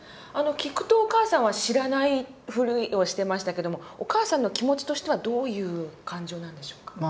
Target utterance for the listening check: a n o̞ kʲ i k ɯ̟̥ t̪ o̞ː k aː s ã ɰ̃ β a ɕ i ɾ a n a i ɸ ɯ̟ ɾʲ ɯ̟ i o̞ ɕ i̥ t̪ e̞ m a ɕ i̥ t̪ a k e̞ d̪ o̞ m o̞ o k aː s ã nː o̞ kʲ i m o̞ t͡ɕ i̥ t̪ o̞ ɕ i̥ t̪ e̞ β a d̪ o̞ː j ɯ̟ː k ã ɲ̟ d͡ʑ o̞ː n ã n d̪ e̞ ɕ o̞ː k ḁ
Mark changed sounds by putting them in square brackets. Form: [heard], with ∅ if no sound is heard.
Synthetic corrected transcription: a n o̞ kʲ i k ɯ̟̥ t̪ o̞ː k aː s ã ɰ̃ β a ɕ i ɾ a n a i ɸ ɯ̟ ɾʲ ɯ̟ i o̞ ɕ i̥ t̪ e̞ m a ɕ i̥ t̪ a k e̞ d̪ o̞ m o̞ o k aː s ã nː o̞ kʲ i m o̞ t͡ɕ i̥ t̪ o̞ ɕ i̥ t̪ e̞ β a d̪ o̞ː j ɯ̟ː k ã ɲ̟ d͡ʑ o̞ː n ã n d̪ e̞ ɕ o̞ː k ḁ